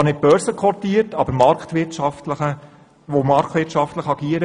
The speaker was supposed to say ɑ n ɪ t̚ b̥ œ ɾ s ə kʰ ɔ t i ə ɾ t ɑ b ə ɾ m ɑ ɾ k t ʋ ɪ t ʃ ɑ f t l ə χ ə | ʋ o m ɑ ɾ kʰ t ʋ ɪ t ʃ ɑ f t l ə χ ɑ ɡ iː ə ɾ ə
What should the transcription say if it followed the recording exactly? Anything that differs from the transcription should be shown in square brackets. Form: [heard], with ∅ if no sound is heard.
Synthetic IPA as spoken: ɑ n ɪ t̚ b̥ œ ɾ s ə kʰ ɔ t i ə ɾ t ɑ b ə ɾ m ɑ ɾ k t ʋ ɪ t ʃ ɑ f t l ə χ ə | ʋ o m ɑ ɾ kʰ t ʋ ɪ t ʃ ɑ f t l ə χ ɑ ɡ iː ə ɾ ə

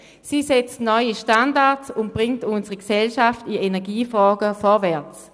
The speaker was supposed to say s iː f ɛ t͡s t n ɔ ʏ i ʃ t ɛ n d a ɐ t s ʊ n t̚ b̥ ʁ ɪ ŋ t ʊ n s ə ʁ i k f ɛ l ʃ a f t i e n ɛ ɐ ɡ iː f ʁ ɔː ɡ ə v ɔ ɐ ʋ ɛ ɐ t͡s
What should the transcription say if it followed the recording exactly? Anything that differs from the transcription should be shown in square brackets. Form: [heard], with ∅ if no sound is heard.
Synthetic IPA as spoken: s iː [s] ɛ t͡s t n ɔ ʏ i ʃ t [a] n d a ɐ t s ʊ n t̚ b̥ ʁ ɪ ŋ t ʊ n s ə ʁ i k [s] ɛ l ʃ a f t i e n ɛ ɐ ɡ iː f ʁ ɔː ɡ ə [f] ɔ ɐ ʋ ɛ ɐ t͡s

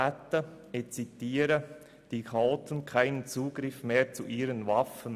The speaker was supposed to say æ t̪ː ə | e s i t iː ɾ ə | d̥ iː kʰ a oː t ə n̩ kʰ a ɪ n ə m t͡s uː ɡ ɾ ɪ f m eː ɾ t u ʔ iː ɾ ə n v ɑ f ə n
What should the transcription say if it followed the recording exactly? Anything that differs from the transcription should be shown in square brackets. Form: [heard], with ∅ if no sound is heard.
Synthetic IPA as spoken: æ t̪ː ə | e [t͡s] i t iː ɾ ə | d̥ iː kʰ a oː t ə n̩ kʰ a ɪ n ə [n] t͡s uː ɡ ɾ ɪ f m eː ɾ [t͡s] u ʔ iː ɾ ə n v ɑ f ə n

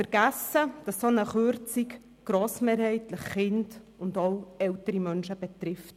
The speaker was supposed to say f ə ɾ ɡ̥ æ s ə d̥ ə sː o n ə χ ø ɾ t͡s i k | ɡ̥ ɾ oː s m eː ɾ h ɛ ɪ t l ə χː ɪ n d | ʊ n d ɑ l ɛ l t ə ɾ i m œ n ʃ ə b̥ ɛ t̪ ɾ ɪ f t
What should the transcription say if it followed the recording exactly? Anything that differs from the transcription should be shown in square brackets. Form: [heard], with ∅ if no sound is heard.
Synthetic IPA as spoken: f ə ɾ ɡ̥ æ s ə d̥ [ɑ] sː o n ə χ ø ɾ t͡s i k | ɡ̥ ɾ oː s m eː ɾ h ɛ ɪ t l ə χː ɪ n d | ʊ n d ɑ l ɛ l t ə ɾ i m œ n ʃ ə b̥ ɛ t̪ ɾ ɪ f t

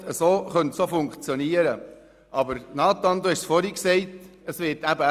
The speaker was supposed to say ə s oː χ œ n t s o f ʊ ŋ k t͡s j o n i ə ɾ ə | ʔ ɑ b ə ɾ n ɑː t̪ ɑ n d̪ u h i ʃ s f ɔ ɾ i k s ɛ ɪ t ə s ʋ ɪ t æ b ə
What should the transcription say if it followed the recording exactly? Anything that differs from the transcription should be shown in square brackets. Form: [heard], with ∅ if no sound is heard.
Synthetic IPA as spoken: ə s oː χ œ n t s o f ʊ ŋ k t͡s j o n i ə ɾ ə | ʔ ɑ b ə ɾ n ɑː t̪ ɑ n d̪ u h [ɛ] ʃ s f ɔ ɾ i k s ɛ ɪ t ə s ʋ ɪ t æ b ə

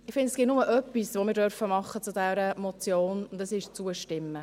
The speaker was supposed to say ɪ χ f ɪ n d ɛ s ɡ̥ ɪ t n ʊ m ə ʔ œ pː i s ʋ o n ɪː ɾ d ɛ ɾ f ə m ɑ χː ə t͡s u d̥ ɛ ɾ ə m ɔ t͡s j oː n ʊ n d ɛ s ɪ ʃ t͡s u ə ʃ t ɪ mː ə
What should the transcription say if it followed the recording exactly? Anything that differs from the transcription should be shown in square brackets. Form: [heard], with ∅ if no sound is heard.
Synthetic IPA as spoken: ɪ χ f ɪ n d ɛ s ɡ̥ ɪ t n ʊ m ə ʔ œ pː i s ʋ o [m] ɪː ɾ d [œ] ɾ f ə m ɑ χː ə t͡s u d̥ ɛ ɾ ə m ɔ t͡s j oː n ʊ n d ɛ s ɪ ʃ t͡s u ə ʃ t ɪ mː ə

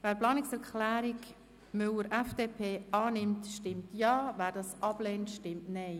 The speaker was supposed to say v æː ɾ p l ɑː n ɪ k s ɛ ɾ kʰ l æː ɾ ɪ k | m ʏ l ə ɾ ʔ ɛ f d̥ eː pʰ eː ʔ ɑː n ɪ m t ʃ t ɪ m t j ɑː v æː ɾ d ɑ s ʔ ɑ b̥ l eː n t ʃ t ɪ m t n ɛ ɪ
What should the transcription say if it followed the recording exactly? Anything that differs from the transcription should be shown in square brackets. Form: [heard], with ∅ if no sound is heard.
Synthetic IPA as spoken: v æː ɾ p l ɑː n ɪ k s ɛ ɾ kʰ l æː ɾ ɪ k | m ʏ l ə ɾ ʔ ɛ f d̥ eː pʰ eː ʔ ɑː n ɪ m t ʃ t ɪ m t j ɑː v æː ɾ d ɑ s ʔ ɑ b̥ l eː n t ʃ t ɪ m t n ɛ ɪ

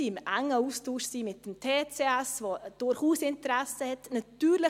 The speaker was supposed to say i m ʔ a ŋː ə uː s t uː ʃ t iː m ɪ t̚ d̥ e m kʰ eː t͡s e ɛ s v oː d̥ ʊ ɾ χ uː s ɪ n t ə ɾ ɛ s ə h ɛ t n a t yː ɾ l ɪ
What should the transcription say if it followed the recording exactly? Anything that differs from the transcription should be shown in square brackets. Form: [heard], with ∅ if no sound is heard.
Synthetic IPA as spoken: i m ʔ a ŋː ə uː s t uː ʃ [s] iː m ɪ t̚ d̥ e m [tʰ] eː t͡s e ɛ s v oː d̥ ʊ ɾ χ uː s ɪ n t ə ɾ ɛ s ə h ɛ t n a t yː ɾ l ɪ

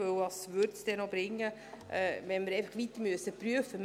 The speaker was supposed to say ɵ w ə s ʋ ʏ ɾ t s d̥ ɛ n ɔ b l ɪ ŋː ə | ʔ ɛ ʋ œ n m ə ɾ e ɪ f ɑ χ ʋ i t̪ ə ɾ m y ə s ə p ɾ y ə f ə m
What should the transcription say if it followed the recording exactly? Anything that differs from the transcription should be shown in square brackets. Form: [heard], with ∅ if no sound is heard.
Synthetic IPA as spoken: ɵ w [ɑ] s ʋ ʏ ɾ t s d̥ ɛ n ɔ b [ɾ] ɪ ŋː ə | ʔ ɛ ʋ [ɛ] n m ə ɾ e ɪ f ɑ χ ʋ i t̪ ə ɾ m y ə s ə p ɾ y ə f ə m

